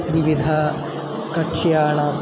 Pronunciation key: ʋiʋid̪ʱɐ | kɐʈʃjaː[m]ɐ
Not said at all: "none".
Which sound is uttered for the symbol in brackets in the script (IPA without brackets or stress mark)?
ɳ